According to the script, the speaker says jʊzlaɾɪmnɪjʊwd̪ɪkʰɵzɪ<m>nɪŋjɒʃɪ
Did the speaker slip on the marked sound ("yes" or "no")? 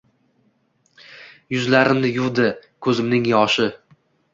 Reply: no